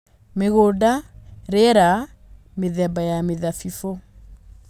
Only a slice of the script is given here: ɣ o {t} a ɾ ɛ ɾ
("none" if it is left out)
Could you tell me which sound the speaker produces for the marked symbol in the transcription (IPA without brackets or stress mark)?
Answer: d